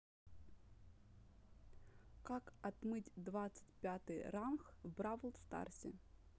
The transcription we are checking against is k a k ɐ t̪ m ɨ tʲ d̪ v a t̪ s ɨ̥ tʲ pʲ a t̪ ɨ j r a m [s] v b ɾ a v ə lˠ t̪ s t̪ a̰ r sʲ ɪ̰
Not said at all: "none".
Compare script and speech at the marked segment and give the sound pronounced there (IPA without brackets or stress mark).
x